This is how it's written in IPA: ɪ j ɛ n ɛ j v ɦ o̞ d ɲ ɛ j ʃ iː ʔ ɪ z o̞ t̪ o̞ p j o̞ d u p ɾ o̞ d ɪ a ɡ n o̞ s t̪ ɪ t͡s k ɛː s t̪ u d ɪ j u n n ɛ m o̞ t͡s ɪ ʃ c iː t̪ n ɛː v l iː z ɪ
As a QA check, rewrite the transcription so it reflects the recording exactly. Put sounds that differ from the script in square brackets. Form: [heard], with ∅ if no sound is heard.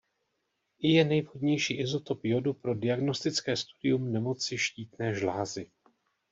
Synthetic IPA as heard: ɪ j ɛ n ɛ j v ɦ o̞ d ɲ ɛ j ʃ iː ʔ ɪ z o̞ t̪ o̞ p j o̞ d u p ɾ o̞ d ɪ a ɡ n o̞ s t̪ ɪ t͡s k ɛː s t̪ u d ɪ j u [m] n ɛ m o̞ t͡s ɪ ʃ c iː t̪ n ɛː [ʒ] l [aː] z ɪ